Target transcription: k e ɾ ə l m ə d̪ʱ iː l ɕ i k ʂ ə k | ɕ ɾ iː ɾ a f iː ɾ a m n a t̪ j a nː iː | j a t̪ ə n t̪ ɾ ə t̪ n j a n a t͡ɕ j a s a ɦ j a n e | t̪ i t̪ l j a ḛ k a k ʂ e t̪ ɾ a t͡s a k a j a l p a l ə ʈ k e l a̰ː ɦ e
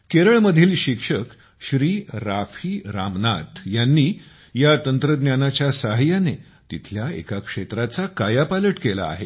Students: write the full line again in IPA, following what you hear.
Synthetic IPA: k e ɾ ə ɭ m ə d̪ʱ iː l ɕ i k ʂ ə k | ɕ ɾ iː ɾ a f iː ɾ a m n a t̪ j a nː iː | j a t̪ ə n t̪ ɾ ə d̪ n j a n a t͡ɕ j a s a ɦ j a n e | t̪ i t̪ʰ l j a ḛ k a k ʂ e t̪ ɾ a t͡s a k a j a p a l ə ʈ k e l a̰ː ɦ e